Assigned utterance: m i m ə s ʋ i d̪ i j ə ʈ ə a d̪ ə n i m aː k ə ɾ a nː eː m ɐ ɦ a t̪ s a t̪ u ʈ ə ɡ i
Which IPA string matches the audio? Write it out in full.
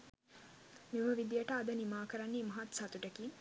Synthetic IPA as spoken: m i m ə ʋ i d̪ i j ə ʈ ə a d̪ ə n i m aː k ə ɾ a nː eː m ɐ ɦ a t̪ s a t̪ u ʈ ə k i